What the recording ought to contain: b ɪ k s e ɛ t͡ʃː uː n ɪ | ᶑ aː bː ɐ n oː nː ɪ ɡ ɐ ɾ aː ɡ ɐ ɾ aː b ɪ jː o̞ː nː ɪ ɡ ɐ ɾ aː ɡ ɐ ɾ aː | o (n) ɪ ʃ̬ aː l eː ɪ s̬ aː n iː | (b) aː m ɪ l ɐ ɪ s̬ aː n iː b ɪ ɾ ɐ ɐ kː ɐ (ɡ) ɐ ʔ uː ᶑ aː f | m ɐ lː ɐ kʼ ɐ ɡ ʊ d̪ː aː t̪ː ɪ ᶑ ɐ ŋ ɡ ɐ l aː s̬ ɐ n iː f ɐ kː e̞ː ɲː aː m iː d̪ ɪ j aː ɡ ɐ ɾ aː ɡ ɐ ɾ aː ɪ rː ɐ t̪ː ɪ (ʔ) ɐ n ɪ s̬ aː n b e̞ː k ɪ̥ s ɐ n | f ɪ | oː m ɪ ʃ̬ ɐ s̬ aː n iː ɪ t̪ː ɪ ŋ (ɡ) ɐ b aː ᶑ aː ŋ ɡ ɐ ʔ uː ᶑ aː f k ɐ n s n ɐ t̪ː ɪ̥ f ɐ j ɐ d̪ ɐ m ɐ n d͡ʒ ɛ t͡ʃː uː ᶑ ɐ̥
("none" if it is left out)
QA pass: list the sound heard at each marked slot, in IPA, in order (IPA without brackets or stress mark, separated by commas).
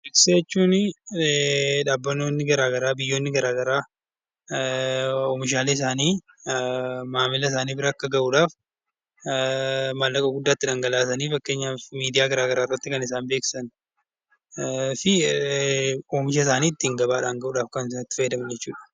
m, m, ɡ, k, ɡ